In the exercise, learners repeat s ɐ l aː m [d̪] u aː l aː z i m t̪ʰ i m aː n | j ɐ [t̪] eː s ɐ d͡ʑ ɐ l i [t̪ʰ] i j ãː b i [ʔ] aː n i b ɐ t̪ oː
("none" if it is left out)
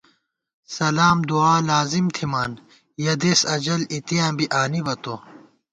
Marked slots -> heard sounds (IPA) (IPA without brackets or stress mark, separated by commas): d̪, d̪, t̪, ʔ